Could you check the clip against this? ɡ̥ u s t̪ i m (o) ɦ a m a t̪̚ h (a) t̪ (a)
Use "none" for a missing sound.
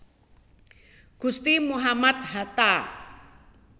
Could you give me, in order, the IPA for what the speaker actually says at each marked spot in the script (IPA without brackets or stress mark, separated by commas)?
u, a, a